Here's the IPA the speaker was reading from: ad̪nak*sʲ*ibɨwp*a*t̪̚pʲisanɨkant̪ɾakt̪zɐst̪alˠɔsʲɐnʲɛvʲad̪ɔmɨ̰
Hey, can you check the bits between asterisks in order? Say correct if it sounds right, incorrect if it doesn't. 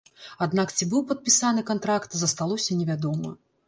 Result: incorrect, incorrect

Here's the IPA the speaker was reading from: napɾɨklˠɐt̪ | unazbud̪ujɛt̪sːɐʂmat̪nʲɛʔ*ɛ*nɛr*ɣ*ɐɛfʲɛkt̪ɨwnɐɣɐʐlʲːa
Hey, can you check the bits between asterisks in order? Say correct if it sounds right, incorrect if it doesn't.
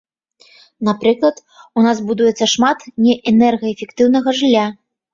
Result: correct, correct

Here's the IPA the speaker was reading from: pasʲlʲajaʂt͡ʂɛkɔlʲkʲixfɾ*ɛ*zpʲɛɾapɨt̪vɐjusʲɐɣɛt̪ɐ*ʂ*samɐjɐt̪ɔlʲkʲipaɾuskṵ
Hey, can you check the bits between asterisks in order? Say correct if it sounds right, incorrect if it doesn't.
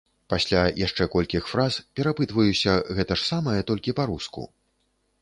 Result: incorrect, correct

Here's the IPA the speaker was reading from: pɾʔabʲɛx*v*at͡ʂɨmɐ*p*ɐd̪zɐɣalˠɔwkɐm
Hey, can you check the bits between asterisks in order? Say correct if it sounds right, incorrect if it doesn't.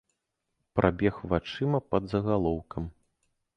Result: correct, correct

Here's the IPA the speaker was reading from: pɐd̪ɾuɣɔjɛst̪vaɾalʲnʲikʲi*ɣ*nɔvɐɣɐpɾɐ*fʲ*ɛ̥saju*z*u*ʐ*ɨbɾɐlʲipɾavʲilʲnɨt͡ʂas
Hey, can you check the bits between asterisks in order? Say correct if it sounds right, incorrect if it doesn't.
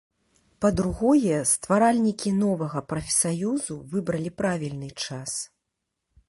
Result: incorrect, correct, correct, incorrect

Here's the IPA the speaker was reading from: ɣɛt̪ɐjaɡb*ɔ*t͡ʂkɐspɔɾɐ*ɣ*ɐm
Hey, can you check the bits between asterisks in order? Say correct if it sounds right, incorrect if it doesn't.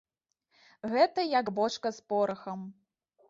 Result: correct, incorrect

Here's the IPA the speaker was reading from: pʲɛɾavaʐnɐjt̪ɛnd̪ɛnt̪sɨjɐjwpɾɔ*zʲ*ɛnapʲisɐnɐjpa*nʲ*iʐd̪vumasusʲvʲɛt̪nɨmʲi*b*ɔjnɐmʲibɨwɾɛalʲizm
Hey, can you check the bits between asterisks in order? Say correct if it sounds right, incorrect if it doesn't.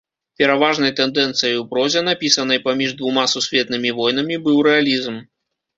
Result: correct, incorrect, incorrect

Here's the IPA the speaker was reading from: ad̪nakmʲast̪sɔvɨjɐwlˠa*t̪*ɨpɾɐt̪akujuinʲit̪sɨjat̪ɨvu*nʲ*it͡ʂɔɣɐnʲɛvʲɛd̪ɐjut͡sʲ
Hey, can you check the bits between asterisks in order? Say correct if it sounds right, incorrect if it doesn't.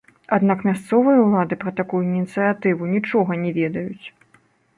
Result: incorrect, correct

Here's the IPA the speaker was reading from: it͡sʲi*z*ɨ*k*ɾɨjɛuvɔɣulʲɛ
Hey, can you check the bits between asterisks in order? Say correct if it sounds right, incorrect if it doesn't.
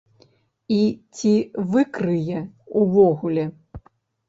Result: incorrect, correct

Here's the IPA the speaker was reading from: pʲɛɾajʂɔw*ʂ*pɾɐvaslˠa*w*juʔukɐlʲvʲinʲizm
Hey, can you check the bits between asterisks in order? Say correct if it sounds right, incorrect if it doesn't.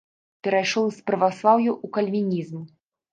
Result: incorrect, correct

